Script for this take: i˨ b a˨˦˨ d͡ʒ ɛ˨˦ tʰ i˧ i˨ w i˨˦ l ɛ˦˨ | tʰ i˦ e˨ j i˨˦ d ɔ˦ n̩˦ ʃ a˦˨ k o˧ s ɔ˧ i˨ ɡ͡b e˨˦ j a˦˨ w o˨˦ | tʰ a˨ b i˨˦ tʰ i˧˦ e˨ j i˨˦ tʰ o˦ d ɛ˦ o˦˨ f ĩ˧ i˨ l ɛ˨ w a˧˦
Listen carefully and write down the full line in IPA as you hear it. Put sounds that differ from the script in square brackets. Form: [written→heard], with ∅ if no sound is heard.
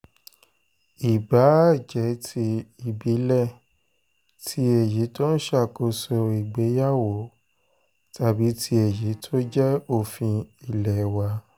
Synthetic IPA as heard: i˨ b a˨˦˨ d͡ʒ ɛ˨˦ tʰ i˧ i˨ [w→b] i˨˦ l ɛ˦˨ | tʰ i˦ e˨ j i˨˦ [d→t] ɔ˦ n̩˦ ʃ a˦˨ k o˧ s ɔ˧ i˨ ɡ͡b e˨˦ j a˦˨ w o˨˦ | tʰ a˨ b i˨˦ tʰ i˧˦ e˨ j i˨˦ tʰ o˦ [d→d͡ʒ] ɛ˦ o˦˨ f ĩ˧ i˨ l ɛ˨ w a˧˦